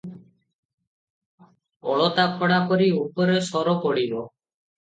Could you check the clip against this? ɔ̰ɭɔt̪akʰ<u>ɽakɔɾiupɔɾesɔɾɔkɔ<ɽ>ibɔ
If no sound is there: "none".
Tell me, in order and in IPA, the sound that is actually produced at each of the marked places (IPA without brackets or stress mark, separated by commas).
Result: ɔ, ɽ